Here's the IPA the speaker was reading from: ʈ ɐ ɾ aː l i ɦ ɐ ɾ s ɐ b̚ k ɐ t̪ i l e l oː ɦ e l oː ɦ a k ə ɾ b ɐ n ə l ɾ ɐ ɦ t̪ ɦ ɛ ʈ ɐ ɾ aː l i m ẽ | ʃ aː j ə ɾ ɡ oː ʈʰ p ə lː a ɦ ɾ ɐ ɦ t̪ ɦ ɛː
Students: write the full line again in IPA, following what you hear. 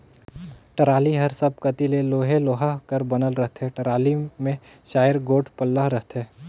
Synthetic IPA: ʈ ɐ ɾ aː l i ɦ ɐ ɾ s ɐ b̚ k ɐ t̪ i l e l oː ɦ e l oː ɦ a k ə ɾ b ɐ n ə l ɾ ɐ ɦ t̪ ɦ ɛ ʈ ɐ ɾ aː l i m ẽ | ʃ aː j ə ɾ ɡ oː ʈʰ p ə lː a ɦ ɾ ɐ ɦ t̪ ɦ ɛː